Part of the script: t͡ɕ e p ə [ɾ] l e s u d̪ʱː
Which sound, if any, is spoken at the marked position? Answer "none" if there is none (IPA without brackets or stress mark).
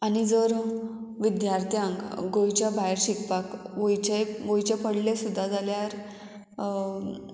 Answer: ɽ